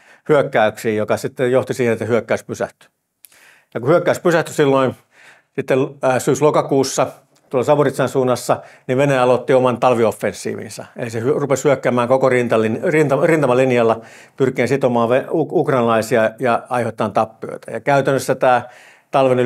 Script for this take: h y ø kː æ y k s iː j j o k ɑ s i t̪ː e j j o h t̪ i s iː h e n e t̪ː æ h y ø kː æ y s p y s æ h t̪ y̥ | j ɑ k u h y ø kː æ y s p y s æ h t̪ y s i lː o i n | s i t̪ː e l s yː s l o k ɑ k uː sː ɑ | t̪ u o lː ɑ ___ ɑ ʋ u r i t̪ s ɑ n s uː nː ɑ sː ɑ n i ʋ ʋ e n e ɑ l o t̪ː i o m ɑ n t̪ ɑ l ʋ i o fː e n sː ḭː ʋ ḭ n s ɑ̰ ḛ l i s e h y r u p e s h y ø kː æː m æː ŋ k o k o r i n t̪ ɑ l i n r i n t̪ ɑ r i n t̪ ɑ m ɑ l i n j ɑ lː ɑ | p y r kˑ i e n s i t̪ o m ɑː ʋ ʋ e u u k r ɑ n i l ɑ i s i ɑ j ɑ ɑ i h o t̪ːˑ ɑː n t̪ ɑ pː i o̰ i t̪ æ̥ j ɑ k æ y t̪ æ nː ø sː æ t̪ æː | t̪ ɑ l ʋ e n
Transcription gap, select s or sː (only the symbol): s